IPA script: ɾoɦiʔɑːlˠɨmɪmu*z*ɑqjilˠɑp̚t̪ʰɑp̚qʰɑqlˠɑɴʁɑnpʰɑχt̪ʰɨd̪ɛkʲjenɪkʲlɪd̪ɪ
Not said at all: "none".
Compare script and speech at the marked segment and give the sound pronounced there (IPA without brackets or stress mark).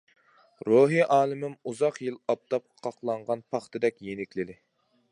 z